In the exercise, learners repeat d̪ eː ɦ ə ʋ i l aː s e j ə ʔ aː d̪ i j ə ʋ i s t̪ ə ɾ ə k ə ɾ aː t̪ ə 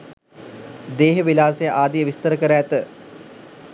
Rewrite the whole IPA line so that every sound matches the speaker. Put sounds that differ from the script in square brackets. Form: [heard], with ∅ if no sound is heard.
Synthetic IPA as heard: d̪ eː ɦ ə ʋ i l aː s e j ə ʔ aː d̪ i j ə ʋ i s t̪ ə ɾ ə k ə ɾ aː t̪ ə